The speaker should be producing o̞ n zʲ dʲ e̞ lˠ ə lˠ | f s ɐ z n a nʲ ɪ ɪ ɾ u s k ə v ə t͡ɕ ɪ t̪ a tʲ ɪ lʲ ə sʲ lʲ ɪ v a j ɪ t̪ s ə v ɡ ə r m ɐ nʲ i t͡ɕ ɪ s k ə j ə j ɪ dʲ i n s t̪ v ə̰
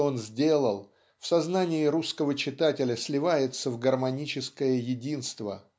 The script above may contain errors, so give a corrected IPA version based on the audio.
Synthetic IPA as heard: o̞ n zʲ dʲ e̞ lˠ ə lˠ | f s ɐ z n a nʲ ɪ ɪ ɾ u s k ə v ə t͡ɕ ɪ t̪ a tʲ ɪ lʲ ə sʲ lʲ ɪ v a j ɪ t̪ s ə v ɡ ə r m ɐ nʲ i t͡ɕ ɪ s k ə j ə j ɪ dʲ i n s t̪ v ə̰